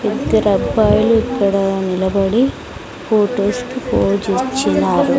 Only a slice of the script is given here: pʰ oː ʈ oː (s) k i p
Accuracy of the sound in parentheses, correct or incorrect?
correct